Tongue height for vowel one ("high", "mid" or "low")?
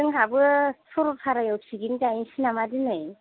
high